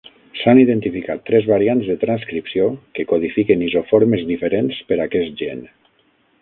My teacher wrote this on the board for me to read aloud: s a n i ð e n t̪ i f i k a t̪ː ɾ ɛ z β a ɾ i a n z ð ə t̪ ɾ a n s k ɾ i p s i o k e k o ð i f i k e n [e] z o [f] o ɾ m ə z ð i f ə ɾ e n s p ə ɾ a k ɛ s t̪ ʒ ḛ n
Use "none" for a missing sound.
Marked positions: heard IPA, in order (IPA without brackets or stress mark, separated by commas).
i, f